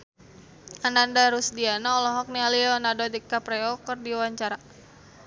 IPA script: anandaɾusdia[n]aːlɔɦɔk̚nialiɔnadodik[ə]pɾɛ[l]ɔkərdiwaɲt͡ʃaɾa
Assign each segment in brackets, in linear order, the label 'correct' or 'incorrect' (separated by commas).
correct, incorrect, incorrect